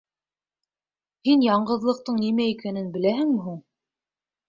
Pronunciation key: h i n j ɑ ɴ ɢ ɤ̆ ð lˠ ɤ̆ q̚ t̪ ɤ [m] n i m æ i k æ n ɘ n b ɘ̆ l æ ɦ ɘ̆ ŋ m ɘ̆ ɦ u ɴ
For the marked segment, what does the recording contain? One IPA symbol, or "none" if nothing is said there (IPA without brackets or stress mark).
ɴ